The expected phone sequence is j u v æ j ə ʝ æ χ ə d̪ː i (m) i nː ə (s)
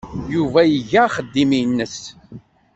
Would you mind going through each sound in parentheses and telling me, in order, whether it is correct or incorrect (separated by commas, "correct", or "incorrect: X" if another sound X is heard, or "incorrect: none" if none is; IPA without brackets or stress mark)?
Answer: correct, correct